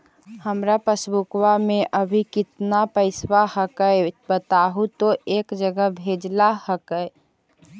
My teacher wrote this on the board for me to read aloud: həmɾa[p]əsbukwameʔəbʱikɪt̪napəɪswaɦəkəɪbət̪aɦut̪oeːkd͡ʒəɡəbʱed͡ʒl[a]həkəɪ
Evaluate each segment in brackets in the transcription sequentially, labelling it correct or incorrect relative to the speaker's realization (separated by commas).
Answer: correct, correct